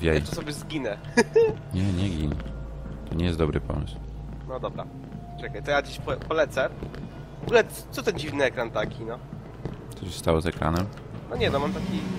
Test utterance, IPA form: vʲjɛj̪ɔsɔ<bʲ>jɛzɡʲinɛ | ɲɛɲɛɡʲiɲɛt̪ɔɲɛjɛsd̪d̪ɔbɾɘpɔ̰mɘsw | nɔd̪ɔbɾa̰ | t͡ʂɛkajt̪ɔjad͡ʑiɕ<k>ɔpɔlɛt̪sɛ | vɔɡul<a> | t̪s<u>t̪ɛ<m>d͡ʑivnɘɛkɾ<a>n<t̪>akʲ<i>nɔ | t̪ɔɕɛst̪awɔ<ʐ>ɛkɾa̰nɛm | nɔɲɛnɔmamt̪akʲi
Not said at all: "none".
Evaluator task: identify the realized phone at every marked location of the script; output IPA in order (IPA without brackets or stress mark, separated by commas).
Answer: bʲ, p, ɛ, ɔ, n, a, t̪, i, z